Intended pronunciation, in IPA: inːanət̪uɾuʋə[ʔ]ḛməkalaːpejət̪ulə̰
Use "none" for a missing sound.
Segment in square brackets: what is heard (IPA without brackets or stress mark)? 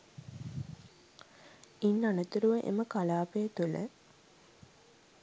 ʔ